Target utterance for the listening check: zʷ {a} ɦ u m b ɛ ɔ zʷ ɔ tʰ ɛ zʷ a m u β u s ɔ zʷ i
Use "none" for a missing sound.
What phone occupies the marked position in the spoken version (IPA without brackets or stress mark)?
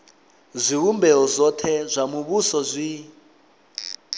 i